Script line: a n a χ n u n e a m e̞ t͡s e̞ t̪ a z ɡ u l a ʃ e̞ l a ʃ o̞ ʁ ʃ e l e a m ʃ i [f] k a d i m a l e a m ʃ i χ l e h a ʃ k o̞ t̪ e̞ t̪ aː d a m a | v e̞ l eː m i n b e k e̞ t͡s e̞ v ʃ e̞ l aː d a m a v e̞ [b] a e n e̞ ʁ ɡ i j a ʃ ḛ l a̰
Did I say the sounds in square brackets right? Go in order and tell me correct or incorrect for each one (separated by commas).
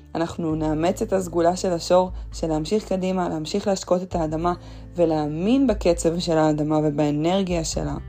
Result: incorrect, correct